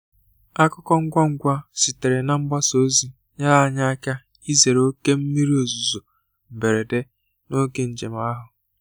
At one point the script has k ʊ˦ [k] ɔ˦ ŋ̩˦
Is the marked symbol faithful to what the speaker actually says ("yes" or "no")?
yes